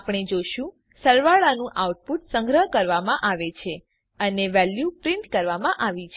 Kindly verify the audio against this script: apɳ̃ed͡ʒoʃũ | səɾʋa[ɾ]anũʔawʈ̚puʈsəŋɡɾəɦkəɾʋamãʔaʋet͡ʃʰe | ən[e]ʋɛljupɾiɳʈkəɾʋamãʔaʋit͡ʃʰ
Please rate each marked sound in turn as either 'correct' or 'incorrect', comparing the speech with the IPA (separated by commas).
incorrect, correct